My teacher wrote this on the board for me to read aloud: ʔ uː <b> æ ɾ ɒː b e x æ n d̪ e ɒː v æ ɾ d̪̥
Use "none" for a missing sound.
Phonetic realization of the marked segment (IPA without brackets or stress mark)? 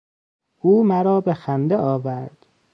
m